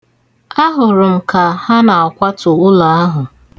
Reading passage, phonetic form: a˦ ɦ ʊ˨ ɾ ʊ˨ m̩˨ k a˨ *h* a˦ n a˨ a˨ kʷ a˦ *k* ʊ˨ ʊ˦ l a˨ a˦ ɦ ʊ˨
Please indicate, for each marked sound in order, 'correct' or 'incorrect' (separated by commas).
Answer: correct, incorrect